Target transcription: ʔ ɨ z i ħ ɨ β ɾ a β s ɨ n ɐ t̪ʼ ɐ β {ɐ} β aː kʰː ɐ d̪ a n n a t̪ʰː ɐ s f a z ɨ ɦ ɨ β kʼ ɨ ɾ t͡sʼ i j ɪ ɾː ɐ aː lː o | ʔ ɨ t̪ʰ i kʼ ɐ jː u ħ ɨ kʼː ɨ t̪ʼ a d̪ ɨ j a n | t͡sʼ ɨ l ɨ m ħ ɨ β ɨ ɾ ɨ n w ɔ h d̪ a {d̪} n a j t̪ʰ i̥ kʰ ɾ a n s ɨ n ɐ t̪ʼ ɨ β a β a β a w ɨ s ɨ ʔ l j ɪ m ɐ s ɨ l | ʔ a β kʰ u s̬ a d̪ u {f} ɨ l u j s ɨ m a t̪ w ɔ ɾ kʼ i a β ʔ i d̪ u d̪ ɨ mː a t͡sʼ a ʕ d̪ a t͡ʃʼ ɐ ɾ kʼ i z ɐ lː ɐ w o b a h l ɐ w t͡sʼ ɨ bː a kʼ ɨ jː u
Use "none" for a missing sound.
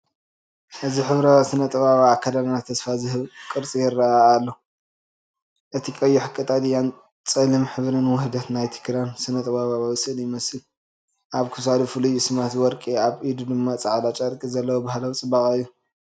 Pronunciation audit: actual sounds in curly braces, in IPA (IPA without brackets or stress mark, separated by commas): a, t̪, f